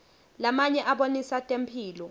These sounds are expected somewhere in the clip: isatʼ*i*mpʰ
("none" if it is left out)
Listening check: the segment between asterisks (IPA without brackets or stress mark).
e